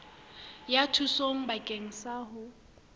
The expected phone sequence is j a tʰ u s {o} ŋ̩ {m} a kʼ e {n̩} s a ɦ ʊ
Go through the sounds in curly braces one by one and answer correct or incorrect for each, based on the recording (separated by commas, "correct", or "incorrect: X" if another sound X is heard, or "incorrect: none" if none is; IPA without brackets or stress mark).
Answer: correct, incorrect: b, incorrect: ŋ̩